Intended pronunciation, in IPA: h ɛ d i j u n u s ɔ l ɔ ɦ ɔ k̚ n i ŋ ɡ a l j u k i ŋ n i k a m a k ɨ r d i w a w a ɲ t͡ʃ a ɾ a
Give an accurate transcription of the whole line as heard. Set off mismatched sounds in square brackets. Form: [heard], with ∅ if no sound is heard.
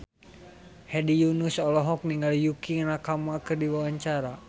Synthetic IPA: h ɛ d i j u n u s ɔ l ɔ ɦ ɔ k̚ n i ŋ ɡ a l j u k i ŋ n [a] k a m a k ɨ r d i w a w a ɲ t͡ʃ a ɾ a